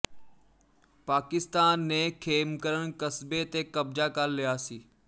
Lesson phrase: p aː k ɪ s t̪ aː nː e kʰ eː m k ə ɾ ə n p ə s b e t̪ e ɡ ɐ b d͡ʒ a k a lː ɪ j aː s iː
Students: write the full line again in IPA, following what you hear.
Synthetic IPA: p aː k ɪ s t̪ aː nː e kʰ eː m k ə ɾ ə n k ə s b e t̪ e k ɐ b d͡ʒ a k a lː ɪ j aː s iː